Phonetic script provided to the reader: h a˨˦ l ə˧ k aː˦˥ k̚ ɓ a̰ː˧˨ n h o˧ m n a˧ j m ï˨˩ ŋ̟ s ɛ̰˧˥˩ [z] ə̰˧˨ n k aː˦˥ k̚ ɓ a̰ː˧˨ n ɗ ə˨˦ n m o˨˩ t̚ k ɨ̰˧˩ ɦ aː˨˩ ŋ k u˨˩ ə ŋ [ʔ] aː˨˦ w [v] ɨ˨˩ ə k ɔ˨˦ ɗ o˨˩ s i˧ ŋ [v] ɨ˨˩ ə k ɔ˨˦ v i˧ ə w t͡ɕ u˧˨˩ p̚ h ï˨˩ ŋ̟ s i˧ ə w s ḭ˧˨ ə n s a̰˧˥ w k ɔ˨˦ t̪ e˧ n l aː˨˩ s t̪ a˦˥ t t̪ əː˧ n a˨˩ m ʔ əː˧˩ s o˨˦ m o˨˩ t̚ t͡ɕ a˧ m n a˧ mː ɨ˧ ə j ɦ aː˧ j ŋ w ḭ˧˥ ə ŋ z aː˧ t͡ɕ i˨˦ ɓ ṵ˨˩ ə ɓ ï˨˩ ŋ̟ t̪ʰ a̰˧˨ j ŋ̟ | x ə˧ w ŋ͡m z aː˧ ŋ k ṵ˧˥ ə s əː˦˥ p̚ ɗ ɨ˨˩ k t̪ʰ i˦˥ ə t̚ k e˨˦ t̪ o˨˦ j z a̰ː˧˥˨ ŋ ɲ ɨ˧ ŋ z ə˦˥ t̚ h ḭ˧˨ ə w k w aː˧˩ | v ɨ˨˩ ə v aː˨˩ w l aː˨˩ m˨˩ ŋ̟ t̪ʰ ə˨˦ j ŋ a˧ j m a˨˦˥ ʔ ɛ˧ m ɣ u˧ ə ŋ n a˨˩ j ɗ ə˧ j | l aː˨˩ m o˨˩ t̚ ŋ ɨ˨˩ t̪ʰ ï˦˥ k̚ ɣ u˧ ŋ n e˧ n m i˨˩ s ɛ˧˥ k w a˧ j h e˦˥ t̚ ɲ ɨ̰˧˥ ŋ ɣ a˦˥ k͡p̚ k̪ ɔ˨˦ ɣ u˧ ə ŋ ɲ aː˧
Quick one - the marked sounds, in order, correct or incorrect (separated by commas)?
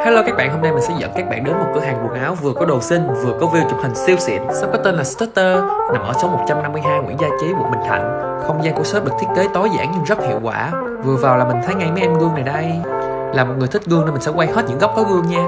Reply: correct, correct, correct, correct